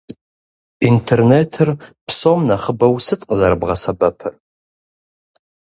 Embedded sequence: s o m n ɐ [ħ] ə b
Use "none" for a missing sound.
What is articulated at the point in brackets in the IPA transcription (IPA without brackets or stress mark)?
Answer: χ